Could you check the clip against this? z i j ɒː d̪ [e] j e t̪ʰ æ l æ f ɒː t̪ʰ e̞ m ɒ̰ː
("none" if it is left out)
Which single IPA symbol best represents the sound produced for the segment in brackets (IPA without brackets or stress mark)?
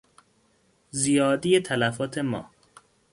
i